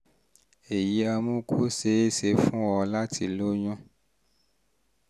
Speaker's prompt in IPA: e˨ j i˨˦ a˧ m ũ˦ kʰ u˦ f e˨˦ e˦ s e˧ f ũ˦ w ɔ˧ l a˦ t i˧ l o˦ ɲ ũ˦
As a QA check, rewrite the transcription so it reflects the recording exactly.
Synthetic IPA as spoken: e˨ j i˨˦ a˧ m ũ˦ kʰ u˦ s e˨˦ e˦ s e˧ f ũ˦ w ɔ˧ l a˦ t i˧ l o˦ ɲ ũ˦

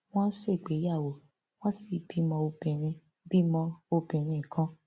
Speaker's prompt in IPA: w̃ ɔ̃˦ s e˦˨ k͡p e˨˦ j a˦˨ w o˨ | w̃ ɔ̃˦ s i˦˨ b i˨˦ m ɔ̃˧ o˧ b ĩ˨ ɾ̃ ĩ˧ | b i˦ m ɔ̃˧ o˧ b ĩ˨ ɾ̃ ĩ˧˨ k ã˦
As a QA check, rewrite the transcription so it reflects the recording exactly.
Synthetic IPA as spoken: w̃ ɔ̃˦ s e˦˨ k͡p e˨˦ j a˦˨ w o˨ | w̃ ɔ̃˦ s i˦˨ b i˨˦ m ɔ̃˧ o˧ b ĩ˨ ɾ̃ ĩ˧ | b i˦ m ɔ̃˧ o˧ b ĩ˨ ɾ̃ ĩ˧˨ k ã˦

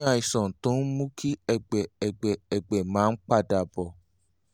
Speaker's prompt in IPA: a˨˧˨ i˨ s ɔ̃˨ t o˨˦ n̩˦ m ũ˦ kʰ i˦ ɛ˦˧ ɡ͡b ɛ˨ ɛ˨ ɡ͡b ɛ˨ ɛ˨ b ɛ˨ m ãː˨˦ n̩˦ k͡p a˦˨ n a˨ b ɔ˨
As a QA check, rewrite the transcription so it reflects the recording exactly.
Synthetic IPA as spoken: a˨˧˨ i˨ s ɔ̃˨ t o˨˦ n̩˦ m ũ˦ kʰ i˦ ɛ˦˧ ɡ͡b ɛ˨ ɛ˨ ɡ͡b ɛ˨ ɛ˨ ɡ͡b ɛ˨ m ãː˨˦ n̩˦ k͡p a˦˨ d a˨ b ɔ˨

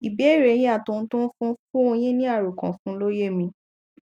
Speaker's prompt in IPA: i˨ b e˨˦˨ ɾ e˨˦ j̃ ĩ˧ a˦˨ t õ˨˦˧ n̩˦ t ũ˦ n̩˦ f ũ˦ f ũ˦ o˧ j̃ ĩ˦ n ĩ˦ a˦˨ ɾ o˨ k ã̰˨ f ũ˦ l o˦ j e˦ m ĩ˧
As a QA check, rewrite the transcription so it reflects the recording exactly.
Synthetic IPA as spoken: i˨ b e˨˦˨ ɾ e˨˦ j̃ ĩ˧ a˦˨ t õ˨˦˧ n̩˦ t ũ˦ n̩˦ f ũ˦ f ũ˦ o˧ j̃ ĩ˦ n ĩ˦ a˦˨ ɾ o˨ k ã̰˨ f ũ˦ l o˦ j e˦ m ĩ˧

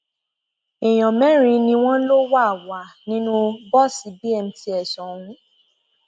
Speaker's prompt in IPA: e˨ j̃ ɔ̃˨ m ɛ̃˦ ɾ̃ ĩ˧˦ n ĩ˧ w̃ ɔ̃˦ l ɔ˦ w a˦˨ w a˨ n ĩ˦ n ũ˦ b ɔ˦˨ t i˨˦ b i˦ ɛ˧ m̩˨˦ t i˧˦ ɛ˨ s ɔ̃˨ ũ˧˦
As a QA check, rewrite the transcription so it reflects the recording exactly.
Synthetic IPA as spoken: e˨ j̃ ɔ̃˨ m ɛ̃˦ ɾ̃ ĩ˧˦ n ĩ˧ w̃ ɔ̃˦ l o˦ w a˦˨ w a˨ n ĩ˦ n ũ˦ b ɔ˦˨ s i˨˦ b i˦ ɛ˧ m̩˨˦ t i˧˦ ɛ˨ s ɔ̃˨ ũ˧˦

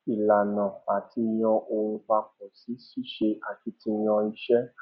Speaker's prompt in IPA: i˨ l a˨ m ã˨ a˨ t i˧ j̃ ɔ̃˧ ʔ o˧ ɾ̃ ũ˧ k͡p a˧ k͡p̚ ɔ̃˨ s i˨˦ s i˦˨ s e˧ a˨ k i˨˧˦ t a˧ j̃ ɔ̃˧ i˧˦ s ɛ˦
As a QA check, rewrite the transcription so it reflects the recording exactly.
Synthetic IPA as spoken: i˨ l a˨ n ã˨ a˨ t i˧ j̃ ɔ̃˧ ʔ o˧ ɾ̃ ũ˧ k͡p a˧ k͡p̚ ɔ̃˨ s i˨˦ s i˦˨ ʃ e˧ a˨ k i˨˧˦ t i˧ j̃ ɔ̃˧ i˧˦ ʃ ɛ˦

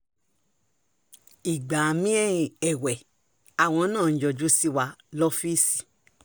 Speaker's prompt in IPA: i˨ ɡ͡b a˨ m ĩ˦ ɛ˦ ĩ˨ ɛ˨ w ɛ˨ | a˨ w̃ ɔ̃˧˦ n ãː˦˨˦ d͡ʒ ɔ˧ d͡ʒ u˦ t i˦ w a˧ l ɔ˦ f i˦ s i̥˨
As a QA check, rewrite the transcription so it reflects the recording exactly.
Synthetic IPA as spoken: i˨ ɡ͡b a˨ m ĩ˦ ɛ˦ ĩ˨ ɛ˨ w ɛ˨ | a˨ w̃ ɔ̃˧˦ n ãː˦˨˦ d͡ʒ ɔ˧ d͡ʒ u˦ s i˦ w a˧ l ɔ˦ f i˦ s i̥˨

